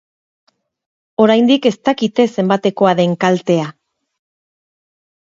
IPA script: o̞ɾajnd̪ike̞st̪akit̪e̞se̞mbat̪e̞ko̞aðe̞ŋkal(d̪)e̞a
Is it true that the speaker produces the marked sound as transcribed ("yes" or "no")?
no